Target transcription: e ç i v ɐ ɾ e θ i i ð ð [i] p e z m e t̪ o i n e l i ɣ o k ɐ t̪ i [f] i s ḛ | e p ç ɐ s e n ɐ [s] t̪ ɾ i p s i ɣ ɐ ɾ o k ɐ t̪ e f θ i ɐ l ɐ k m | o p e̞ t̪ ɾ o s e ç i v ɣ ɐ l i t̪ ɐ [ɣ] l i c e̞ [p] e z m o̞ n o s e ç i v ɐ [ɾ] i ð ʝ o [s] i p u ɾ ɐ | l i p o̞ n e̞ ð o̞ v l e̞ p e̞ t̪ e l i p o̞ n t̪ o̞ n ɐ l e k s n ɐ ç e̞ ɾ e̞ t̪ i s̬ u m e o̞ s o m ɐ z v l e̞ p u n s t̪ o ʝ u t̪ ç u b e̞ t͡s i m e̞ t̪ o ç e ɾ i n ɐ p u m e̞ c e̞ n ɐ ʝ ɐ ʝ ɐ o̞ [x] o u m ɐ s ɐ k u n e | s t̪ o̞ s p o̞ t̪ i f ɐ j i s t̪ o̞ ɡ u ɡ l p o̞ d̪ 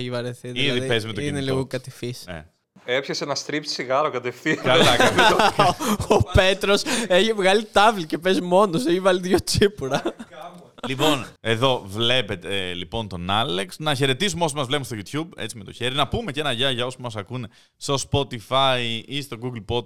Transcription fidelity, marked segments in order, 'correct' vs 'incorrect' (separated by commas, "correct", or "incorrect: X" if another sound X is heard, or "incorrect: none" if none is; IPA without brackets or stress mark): correct, correct, correct, incorrect: v, correct, incorrect: l, incorrect: t͡s, incorrect: s